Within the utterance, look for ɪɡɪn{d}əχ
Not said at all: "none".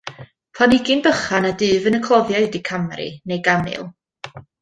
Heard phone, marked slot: b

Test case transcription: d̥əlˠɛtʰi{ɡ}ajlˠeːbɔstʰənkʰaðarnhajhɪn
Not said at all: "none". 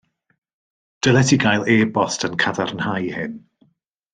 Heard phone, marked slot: ɡ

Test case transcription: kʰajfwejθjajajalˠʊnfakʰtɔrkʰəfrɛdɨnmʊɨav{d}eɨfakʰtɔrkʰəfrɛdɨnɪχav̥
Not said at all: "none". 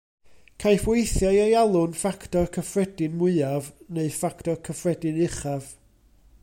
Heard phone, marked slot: n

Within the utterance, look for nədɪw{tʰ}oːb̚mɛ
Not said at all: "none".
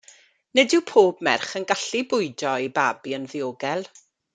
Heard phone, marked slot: pʰ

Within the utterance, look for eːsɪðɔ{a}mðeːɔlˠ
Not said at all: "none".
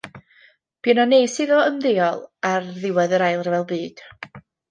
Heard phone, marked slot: ə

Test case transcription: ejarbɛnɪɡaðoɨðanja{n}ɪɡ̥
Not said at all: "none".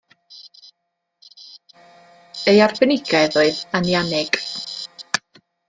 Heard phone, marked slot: n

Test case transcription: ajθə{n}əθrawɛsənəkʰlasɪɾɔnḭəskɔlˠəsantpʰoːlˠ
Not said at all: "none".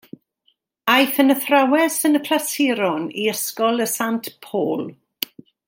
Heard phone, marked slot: n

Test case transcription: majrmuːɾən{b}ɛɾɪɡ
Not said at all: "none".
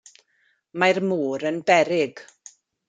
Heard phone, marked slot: b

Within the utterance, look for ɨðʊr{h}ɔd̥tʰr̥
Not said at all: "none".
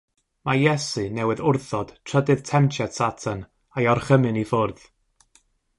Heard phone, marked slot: θ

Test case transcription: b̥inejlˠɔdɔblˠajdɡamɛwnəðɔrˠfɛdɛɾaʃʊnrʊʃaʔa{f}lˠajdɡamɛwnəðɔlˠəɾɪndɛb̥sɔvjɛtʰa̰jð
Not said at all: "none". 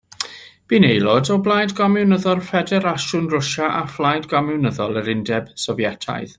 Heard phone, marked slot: f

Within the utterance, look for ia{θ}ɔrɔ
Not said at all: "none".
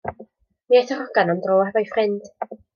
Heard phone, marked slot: θ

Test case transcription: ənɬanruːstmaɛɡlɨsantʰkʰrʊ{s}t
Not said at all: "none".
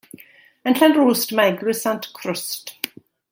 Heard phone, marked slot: s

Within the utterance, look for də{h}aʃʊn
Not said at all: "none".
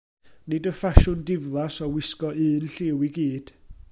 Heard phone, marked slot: f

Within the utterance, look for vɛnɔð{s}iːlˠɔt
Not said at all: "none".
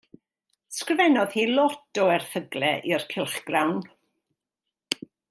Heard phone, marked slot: h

